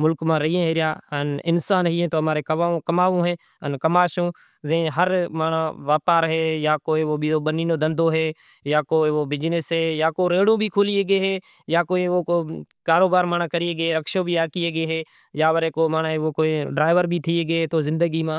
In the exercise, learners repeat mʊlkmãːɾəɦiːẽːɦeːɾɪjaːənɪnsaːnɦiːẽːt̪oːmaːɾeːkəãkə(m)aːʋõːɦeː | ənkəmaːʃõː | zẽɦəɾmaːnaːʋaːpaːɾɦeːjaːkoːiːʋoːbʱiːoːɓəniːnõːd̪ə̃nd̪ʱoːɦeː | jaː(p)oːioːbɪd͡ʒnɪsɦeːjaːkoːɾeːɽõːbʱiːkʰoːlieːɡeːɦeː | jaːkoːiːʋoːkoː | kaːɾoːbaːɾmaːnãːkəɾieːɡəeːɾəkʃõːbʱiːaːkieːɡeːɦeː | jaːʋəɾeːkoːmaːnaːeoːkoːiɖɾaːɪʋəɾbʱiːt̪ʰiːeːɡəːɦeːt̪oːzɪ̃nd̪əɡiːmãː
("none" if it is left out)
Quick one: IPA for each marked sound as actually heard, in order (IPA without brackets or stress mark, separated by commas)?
m, k